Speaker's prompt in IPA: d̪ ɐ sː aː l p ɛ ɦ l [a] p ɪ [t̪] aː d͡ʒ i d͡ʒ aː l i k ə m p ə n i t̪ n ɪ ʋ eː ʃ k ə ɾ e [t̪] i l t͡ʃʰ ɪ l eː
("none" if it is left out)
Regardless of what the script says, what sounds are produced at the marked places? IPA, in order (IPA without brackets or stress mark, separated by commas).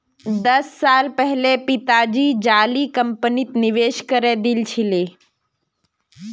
e, t̪, d̪